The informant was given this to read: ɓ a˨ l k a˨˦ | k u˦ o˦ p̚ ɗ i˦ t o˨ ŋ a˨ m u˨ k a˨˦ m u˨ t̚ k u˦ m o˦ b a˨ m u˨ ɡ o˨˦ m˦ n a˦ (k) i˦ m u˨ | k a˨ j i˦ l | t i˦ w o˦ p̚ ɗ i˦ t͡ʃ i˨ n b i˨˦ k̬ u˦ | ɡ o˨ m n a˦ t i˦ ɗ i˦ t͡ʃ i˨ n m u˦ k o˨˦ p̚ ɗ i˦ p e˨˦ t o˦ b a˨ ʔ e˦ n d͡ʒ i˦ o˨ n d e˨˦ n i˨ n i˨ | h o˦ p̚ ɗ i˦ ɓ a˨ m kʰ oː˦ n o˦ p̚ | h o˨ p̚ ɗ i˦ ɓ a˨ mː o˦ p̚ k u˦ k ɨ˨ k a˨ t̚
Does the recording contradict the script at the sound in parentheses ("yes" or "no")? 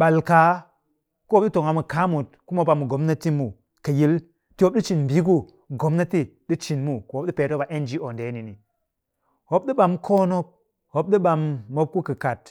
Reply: yes